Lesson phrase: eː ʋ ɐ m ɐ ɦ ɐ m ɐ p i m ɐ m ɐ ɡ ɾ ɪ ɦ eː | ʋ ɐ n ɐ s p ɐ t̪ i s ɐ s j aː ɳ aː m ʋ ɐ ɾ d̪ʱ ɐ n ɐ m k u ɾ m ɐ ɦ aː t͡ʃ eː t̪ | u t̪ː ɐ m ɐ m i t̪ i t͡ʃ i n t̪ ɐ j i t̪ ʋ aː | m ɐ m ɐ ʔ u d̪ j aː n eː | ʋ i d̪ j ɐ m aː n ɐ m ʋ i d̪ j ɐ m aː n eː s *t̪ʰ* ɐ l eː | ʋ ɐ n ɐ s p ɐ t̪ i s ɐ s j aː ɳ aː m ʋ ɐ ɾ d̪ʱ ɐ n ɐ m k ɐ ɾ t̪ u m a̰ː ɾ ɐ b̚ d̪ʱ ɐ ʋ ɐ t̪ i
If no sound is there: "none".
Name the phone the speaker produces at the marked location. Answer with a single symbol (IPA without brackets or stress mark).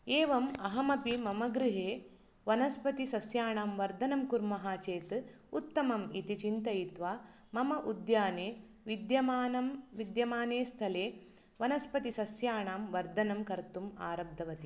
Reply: t̪ʰ